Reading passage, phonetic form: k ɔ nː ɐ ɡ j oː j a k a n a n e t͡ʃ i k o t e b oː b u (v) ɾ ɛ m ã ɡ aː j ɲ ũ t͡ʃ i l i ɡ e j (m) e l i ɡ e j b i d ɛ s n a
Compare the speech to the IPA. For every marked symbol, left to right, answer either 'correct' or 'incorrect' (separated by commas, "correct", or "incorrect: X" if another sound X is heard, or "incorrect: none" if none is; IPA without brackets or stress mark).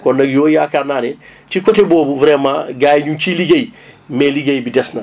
correct, correct